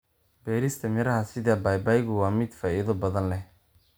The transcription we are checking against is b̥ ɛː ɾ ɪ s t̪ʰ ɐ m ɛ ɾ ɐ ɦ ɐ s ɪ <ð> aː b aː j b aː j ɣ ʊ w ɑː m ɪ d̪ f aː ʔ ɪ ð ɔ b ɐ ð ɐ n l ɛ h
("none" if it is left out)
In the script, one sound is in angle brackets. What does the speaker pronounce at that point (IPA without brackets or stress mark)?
ð